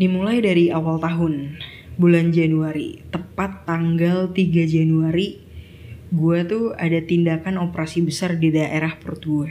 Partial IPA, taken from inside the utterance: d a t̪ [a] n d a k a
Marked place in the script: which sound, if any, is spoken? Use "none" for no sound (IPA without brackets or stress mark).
i